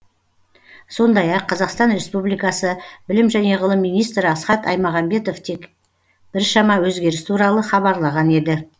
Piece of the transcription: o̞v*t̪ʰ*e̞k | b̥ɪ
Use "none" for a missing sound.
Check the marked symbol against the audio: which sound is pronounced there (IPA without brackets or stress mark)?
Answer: t̪ʰ